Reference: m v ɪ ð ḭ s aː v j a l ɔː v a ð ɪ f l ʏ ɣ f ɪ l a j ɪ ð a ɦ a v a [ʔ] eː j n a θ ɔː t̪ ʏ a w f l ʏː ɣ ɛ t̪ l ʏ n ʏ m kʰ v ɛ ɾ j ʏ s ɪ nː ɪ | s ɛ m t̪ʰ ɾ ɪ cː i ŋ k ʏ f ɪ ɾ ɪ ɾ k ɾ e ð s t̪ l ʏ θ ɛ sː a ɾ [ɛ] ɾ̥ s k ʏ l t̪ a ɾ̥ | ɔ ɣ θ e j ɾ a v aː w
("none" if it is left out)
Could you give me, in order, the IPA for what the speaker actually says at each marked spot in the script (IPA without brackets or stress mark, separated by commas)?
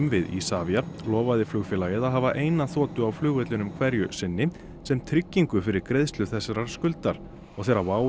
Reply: ʔ, a